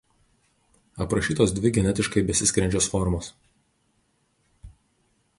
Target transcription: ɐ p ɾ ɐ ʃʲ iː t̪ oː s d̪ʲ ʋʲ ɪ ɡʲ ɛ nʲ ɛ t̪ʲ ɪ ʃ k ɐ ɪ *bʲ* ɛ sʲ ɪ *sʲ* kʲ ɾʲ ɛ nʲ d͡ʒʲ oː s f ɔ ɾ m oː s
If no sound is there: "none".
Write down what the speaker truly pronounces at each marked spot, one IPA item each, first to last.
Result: bʲ, sʲ

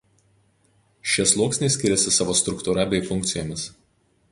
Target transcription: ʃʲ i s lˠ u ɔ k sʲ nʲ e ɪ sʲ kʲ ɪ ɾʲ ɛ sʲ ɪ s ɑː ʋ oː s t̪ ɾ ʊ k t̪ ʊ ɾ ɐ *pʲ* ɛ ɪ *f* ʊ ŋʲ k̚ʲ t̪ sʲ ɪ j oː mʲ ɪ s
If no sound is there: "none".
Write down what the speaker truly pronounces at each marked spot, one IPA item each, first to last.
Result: bʲ, f

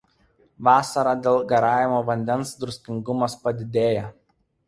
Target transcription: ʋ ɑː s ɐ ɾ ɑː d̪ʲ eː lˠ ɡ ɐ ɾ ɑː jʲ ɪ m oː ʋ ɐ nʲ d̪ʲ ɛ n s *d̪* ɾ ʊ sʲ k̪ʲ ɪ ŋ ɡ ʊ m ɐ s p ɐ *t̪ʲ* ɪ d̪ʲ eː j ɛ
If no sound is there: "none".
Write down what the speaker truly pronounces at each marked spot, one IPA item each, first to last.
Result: d̪, d̪ʲ

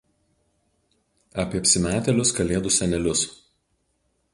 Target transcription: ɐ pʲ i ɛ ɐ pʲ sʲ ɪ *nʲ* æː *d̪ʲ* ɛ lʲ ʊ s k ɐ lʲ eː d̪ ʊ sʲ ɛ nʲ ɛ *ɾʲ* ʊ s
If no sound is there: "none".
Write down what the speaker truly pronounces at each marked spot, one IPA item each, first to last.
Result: mʲ, t̪ʲ, lʲ

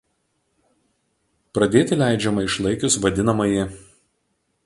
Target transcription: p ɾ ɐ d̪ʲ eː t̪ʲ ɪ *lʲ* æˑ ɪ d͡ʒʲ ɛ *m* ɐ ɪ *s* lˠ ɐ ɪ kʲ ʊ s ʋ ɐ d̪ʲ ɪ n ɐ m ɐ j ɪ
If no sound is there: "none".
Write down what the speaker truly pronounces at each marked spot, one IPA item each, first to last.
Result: lʲ, m, ʃ

